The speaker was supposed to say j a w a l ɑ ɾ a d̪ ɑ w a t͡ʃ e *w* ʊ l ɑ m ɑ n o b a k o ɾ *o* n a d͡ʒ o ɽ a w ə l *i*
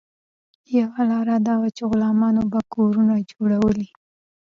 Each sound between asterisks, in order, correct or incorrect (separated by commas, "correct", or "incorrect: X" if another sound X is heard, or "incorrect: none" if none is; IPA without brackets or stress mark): incorrect: ɣ, incorrect: u, correct